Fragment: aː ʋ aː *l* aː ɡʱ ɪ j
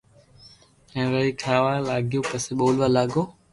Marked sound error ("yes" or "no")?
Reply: no